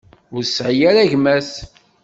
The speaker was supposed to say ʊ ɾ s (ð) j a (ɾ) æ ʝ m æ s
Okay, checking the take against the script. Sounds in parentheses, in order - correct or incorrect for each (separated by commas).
incorrect, correct